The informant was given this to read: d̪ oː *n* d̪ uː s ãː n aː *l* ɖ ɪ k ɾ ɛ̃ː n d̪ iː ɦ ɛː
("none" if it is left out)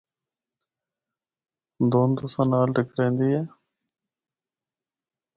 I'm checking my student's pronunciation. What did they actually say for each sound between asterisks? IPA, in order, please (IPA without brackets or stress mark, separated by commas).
n, l